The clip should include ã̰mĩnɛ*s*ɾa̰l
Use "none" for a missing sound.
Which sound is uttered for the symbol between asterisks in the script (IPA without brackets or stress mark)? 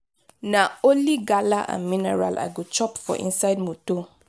none